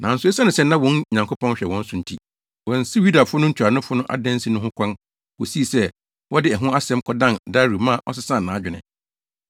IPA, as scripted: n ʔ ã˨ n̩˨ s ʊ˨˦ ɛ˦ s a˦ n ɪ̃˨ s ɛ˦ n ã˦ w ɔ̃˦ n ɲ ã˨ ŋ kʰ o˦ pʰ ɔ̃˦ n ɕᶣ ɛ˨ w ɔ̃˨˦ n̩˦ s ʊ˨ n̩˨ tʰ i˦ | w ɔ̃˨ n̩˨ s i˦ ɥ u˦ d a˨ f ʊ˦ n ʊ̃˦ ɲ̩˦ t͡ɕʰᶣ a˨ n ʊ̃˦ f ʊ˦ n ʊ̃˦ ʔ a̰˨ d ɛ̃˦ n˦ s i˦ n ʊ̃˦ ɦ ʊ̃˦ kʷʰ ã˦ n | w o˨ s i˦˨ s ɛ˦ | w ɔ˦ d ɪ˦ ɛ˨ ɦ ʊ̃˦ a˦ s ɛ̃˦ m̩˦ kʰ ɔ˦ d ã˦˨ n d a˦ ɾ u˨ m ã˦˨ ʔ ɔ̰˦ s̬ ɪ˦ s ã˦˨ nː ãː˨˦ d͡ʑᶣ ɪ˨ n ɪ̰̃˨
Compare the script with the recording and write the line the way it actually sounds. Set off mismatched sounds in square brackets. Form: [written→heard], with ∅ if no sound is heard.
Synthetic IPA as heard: n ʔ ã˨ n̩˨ s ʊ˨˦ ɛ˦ s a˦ n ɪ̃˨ s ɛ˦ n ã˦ w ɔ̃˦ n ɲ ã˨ ŋ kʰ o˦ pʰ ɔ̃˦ n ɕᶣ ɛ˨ w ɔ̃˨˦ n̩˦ s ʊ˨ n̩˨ tʰ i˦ | w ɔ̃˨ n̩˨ s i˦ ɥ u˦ d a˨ f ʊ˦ n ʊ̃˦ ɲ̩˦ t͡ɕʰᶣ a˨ n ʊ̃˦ f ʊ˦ n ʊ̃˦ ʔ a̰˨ d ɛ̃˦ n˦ s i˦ n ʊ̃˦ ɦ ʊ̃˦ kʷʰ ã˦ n | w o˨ s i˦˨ s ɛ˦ | w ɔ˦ d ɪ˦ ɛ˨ ɦ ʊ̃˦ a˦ s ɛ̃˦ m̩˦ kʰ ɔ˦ d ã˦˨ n d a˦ ɾ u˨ m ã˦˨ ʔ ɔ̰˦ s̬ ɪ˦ s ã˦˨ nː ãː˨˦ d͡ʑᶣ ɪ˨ n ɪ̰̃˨